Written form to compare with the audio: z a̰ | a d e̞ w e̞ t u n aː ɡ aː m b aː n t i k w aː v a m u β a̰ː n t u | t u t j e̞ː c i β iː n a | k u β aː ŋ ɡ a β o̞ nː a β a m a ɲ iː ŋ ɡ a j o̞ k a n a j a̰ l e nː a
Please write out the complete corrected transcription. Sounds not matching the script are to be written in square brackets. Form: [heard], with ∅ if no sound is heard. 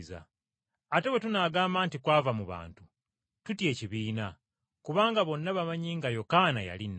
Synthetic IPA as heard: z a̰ | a [t] e̞ w e̞ t u n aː ɡ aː m b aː n t i k w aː v a m u β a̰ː n t u | t u t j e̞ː c i β iː n a | k u β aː ŋ ɡ a β o̞ nː a β a m a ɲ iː ŋ ɡ a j o̞ k a n a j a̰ l [i] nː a

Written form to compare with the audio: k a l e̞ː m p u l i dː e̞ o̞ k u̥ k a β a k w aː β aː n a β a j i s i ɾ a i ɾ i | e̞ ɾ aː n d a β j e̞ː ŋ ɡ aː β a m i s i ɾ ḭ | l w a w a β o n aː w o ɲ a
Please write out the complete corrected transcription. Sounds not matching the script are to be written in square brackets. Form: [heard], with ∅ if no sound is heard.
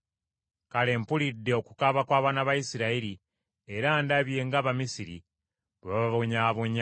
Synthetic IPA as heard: k a l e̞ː m p u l i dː e̞ o̞ k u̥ k a β a k w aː β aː n a β a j i s i ɾ a i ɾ i | e̞ ɾ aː n d a β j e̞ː ŋ ɡ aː β a m i s i ɾ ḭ | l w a [β] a β o [ɲ] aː [β] o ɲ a

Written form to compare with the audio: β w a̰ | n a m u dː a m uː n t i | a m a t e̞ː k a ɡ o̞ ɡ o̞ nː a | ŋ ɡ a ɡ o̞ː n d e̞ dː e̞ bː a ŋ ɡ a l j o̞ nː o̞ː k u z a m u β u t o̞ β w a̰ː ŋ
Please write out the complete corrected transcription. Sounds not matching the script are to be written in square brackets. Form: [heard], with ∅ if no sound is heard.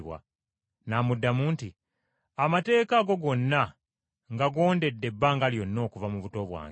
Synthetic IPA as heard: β w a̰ | n a m u dː a m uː n t i | a m a t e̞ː k a ɡ o̞ ɡ o̞ nː a | ŋ ɡ a ɡ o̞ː n d e̞ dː e̞ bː a ŋ ɡ a l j o̞ nː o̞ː k u [v] a m u β u t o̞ β w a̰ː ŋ

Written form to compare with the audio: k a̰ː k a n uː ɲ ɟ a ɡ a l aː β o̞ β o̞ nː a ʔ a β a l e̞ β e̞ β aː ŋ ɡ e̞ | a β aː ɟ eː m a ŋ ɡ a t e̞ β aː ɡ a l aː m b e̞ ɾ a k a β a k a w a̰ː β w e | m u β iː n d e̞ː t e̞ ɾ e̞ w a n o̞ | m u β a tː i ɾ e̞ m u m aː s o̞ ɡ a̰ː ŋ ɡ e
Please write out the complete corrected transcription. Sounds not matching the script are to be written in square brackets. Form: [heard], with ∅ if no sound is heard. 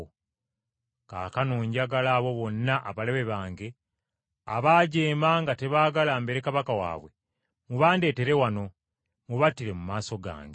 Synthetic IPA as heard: k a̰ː k a n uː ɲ ɟ a ɡ a l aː β o̞ β o̞ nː a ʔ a β a l e̞ β e̞ β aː ŋ ɡ e̞ | a β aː ɟ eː m a ŋ ɡ a t e̞ β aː ɡ a l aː m b e̞ ɾ [e] k a β a k a w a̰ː β w e | m u β [aː] n d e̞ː t e̞ ɾ e̞ w a n o̞ | m u β a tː i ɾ e̞ m u m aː s o̞ ɡ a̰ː ŋ ɡ e

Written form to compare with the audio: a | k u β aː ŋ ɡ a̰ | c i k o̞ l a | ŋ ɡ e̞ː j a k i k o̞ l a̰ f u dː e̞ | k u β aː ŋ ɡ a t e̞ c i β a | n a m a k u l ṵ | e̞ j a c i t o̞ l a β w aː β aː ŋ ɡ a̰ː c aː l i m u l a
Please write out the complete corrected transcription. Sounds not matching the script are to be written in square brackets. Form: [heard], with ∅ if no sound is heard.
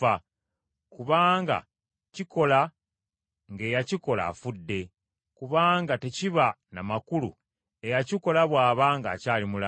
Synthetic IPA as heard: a | k u β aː ŋ ɡ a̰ | c i k o̞ l a | ŋ ɡ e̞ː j a [c] i k o̞ l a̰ f u dː e̞ | k u β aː ŋ ɡ a t e̞ c i β a | n a m a k u l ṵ | e̞ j a c i [k] o̞ l a β w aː β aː ŋ ɡ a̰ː c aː l i m u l a

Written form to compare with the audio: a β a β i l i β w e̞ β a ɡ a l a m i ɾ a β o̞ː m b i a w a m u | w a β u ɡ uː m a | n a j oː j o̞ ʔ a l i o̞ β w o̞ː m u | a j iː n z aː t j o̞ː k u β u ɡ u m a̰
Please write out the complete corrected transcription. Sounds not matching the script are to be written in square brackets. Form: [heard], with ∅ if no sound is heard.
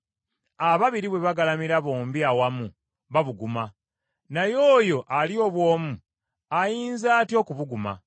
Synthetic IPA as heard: a β a β i [ɾ] i β w e̞ β a ɡ a l a m i ɾ a β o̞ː m b i a w a m u | [β] a β u ɡ [u] m a | n a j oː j o̞ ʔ a l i o̞ β w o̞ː m u | a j iː n z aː t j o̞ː k u β u ɡ u m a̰

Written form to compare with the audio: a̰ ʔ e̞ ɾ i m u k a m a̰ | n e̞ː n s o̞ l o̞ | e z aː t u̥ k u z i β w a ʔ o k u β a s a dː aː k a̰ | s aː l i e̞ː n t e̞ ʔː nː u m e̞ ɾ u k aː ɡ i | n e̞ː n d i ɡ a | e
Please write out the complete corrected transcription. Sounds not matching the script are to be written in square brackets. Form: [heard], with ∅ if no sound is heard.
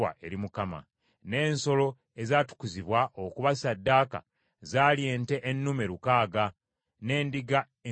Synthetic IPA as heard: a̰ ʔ e̞ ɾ i m u k a m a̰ | n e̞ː n s o̞ l o̞ | e z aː t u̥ k u z i β w a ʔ o k u β a s a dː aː k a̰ | [z] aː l [j] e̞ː n t e̞ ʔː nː u m e̞ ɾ u k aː ɡ [a] | n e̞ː n d i ɡ a | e

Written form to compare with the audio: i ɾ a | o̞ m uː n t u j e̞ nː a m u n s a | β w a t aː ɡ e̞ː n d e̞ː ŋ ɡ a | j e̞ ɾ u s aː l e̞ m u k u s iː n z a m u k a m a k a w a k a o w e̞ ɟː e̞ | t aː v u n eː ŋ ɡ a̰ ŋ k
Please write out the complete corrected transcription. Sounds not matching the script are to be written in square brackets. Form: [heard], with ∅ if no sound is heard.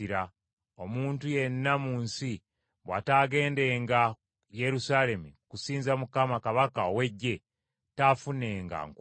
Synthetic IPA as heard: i ɾ a | o̞ m uː n t u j e̞ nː a m [uː] n s [i] | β w a t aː ɡ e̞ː n d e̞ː ŋ ɡ a | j e̞ ɾ u s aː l e̞ m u k u s iː n z a m u k a m a k a [β] a k a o w e̞ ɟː e̞ | t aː [f] u n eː ŋ ɡ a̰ ŋ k

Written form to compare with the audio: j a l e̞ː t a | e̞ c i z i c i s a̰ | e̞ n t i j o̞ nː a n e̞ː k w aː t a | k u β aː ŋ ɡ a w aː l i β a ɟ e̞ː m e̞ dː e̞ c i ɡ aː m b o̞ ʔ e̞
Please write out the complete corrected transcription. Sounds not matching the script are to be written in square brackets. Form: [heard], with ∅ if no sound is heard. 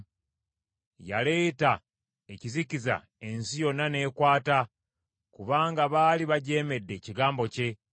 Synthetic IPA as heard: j a l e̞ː t a | e̞ c i z i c i [z] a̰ | e̞ n [s] i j o̞ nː a n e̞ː k w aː t a | k u β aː ŋ ɡ a [β] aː l i β a ɟ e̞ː m e̞ dː e̞ c i ɡ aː m b o̞ [c] e̞

